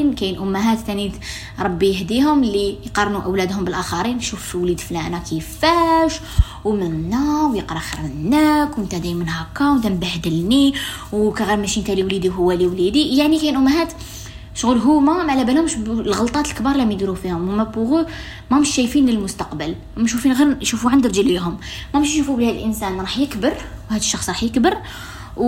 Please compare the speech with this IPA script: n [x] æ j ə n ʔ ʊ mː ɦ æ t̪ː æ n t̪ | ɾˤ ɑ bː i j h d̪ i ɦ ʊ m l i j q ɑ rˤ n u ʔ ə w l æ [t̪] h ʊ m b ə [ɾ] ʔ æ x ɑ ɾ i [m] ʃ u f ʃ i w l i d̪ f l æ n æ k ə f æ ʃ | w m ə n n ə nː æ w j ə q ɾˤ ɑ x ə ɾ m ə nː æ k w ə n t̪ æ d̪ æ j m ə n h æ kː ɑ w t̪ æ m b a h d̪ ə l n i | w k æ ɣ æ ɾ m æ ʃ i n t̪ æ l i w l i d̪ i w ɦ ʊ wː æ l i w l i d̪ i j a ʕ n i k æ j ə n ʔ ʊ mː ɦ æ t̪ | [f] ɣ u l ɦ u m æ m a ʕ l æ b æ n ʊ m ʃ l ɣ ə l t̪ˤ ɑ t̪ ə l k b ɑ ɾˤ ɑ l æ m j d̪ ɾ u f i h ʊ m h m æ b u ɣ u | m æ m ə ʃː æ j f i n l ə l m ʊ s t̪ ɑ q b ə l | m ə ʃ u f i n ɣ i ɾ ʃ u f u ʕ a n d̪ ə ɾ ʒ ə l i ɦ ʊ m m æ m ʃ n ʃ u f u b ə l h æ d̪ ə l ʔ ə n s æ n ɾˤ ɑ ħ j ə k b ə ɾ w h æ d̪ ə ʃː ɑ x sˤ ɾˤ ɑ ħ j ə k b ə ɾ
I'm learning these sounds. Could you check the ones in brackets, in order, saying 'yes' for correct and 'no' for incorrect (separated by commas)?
no, no, no, no, no